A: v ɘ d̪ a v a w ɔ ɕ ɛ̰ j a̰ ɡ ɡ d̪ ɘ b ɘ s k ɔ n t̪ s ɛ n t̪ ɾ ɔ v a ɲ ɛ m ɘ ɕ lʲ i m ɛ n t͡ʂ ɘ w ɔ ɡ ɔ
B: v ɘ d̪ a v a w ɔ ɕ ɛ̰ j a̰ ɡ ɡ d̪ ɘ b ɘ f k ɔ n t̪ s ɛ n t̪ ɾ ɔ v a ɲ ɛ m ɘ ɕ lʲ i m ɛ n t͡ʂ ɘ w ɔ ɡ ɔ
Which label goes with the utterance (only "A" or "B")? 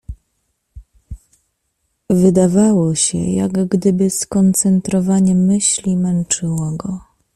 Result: A